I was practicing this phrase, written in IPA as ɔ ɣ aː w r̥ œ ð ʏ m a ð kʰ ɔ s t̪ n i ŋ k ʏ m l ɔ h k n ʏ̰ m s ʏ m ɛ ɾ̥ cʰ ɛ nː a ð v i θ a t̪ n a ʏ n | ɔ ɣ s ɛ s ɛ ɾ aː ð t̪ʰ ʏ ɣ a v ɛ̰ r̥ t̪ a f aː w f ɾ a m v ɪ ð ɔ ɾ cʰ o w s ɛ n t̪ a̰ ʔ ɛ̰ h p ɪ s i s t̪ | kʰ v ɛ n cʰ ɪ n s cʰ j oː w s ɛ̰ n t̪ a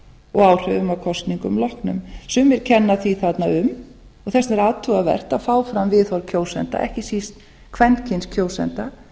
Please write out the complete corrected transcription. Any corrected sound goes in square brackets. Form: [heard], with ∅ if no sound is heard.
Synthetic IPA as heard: ɔ ɣ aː w r̥ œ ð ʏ m a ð kʰ ɔ s t̪ n i ŋ k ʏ m l ɔ h k n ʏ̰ m s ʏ m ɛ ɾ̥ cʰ ɛ nː a [θ] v i θ a t̪ n a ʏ [m] | ɔ ɣ [θ] ɛ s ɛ ɾ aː ð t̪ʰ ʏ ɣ a v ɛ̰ r̥ t̪ a f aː w f ɾ a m v ɪ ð ɔ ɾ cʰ o w s ɛ n t̪ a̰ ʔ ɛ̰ h [c] ɪ s i s t̪ | kʰ v ɛ n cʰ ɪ n s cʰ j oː w s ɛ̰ n t̪ a